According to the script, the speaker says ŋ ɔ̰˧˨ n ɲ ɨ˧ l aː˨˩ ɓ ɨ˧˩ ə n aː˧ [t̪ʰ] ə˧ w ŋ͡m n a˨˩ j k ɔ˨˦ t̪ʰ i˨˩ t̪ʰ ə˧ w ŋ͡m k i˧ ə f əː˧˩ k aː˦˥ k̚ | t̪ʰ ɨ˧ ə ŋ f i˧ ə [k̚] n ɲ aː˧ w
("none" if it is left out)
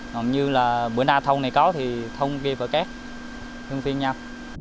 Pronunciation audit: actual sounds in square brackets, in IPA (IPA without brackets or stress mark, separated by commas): t̪ʰ, none